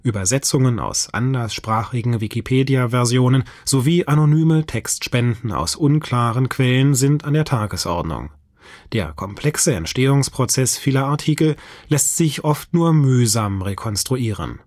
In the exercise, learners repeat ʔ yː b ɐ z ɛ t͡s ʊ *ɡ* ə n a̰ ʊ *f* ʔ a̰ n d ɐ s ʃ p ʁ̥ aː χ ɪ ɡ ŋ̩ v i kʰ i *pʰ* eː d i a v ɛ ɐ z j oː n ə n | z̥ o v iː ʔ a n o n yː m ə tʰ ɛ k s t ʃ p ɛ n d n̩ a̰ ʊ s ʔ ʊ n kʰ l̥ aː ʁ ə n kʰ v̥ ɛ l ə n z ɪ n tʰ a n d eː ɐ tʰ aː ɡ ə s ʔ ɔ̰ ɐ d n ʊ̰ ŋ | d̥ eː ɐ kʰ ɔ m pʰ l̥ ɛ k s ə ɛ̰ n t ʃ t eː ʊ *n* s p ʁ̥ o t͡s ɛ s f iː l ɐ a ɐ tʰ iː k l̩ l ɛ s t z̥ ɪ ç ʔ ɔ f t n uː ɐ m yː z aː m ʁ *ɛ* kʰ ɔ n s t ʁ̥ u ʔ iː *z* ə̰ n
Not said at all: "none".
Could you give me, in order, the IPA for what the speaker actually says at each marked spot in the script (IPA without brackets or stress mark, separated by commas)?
ŋ, s, pʰ, ŋ, e, ʁ